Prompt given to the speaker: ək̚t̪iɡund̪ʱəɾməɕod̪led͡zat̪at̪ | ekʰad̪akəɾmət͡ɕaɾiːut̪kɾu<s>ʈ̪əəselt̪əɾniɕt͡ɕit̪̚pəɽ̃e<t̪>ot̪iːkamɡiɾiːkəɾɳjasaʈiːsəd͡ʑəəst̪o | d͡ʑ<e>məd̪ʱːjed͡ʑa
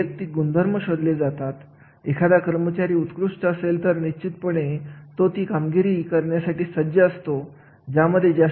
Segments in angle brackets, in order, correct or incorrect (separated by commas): incorrect, correct, incorrect